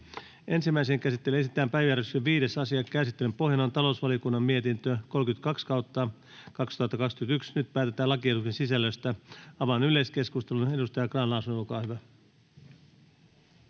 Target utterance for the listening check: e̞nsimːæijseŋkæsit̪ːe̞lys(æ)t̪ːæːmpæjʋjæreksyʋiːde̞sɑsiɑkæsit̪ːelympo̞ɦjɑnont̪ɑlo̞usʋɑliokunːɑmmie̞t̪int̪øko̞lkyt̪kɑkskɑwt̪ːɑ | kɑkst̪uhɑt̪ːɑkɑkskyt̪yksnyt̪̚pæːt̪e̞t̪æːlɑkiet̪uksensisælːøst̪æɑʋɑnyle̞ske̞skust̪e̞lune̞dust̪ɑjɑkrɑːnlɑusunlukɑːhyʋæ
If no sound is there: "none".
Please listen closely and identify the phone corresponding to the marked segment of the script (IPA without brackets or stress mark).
i